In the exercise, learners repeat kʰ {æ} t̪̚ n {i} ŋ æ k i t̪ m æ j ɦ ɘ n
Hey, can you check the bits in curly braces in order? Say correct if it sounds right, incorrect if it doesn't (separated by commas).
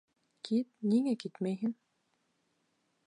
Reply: incorrect, correct